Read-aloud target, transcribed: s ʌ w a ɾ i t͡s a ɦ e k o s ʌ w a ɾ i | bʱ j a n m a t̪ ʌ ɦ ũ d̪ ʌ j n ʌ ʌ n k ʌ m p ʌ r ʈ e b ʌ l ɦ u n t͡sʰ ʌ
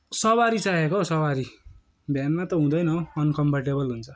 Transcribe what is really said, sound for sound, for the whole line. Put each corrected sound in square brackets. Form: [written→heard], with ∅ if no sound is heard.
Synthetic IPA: s ʌ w a ɾ i t͡s a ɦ e k o s ʌ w a ɾ i | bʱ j a n m a t̪ ʌ ɦ ũ d̪ ʌ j n ʌ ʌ n k ʌ m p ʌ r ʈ e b ʌ l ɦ u n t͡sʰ ʌ